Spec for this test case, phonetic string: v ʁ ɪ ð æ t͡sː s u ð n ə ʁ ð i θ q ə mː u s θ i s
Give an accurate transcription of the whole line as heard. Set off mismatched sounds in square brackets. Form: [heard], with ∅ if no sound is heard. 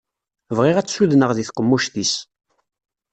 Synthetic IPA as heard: v ʁ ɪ [ʁ] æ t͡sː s u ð n ə ʁ ð i θ q ə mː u [ʃ] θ i s